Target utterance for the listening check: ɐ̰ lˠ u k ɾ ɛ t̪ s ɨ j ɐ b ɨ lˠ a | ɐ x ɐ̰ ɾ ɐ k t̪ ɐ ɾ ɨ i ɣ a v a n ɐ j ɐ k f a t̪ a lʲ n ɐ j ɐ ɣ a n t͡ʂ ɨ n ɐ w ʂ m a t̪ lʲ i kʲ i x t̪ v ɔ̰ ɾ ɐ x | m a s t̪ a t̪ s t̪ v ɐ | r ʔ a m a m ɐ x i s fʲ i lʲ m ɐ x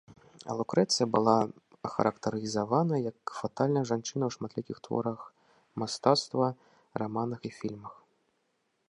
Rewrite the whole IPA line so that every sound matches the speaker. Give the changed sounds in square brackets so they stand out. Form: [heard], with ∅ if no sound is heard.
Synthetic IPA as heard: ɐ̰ lˠ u k ɾ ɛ t̪ s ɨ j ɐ b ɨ lˠ a | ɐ x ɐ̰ ɾ ɐ k t̪ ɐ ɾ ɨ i [z] a v a n ɐ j ɐ k f a t̪ a lʲ n ɐ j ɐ [ʐ] a n t͡ʂ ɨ n ɐ w ʂ m a t̪ lʲ i kʲ i x t̪ v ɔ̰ ɾ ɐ x | m a s t̪ a t̪ s t̪ v ɐ | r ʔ a m a [n] ɐ x i [∅] fʲ i lʲ m ɐ x